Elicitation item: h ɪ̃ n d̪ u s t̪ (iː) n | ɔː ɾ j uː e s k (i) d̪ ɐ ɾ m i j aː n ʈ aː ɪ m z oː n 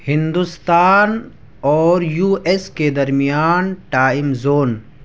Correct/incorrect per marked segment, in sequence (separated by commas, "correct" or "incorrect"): incorrect, incorrect